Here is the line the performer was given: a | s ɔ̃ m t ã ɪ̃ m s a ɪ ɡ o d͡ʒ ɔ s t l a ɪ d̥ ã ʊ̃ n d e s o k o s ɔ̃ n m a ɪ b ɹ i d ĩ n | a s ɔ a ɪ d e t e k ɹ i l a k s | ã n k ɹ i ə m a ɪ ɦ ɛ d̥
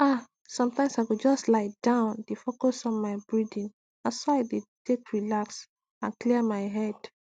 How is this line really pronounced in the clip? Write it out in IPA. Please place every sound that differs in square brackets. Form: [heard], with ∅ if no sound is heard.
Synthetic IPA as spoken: a | s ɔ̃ m t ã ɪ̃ m s a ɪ ɡ o d͡ʒ ɔ s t l a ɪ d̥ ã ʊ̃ n d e [f] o k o s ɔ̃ n m a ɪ b ɹ i d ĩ n | a s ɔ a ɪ d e t e k ɹ i l a k s | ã n k [l] i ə m a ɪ ɦ ɛ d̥